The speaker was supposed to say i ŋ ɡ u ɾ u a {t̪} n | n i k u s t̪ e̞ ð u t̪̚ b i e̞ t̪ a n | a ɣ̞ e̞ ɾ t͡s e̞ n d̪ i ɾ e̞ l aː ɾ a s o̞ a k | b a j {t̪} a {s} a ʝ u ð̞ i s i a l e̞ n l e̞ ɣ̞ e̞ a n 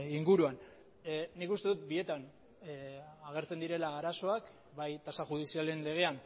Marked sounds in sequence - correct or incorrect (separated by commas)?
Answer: incorrect, correct, correct